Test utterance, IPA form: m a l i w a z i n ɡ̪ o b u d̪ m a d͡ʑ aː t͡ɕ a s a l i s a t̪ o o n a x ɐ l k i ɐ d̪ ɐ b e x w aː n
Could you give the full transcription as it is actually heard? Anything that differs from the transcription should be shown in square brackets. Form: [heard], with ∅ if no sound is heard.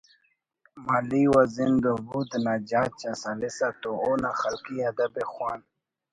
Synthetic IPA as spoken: m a l i w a z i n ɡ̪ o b u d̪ [n] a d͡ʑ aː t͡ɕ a s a l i s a t̪ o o n a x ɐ l k i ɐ d̪ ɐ b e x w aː n